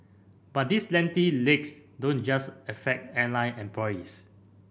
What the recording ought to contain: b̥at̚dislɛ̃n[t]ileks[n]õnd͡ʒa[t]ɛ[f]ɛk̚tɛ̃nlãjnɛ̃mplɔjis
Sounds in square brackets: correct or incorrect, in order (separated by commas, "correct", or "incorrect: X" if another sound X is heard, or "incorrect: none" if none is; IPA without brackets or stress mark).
correct, incorrect: d, incorrect: s, correct